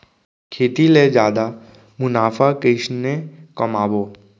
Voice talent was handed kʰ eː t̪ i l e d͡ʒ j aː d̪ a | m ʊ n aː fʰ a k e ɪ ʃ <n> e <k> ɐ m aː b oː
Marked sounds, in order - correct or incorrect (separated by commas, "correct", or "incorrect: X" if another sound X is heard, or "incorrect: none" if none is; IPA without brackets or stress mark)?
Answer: correct, correct